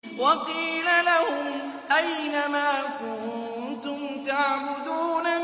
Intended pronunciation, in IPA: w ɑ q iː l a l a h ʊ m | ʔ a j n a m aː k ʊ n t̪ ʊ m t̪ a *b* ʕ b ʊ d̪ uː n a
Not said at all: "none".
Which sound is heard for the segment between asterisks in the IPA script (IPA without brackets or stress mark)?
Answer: none